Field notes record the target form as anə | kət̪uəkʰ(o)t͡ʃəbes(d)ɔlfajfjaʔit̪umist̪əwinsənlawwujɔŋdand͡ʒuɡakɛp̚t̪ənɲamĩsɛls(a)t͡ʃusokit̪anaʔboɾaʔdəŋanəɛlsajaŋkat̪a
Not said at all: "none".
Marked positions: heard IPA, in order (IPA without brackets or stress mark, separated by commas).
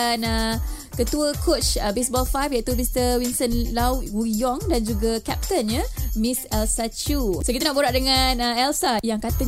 o, b, a